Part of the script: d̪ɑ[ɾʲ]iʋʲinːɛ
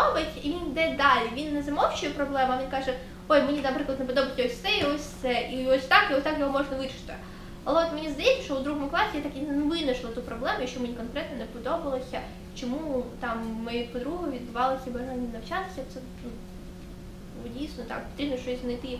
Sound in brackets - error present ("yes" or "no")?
yes